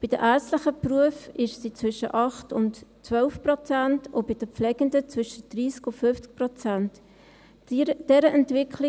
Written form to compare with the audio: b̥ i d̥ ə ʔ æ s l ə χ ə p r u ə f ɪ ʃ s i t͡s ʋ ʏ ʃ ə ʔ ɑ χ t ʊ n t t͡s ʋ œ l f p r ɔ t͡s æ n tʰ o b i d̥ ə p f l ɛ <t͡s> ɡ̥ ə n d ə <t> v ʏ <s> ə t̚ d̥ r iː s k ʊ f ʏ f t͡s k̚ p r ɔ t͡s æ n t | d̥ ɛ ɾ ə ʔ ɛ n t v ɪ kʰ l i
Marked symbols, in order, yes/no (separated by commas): no, no, no